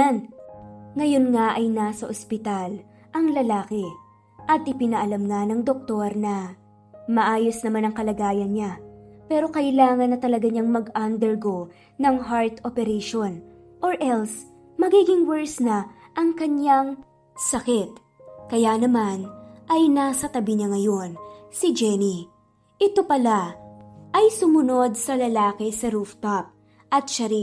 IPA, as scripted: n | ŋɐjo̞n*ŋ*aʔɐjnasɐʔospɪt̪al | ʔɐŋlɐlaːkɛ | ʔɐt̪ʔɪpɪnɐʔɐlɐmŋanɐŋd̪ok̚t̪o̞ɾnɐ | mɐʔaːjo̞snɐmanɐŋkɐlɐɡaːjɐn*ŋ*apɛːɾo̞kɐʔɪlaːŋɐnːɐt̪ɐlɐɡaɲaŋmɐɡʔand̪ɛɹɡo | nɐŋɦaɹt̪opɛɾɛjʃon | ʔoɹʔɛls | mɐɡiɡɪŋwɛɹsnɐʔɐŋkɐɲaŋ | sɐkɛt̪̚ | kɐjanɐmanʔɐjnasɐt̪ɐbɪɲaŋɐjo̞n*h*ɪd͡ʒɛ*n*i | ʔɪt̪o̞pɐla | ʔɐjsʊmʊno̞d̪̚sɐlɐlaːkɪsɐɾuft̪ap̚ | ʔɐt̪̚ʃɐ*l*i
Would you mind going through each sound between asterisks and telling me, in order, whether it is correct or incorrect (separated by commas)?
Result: correct, incorrect, incorrect, correct, incorrect